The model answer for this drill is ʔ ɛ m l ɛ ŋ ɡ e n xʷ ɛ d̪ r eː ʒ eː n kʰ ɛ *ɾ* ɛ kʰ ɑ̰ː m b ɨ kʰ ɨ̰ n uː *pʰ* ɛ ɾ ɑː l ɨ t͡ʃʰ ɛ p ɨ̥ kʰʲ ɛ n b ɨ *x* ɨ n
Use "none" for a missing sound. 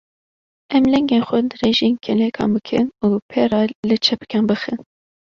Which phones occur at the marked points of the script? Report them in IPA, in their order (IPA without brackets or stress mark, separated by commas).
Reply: l, pʰ, x